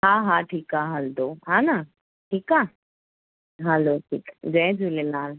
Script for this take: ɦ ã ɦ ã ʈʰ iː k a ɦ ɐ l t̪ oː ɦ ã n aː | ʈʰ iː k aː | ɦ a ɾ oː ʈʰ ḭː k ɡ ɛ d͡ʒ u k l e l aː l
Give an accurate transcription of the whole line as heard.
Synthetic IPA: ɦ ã ɦ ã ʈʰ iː k a ɦ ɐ l d̪ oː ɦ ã n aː | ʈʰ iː k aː | ɦ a l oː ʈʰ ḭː k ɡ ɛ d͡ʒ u l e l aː l